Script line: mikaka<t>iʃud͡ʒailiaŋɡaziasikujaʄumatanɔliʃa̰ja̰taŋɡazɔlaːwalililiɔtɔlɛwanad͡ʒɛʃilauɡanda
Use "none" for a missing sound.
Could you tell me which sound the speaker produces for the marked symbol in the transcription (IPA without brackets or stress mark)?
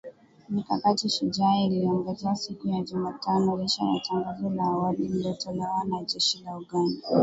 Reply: t